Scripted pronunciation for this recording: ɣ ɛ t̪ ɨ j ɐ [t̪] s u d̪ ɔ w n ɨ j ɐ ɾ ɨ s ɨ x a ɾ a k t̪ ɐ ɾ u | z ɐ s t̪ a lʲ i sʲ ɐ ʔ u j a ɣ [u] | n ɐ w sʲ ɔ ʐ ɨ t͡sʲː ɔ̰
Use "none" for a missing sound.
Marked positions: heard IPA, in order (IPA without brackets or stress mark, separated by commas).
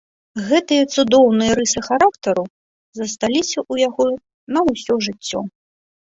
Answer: t̪, ɔ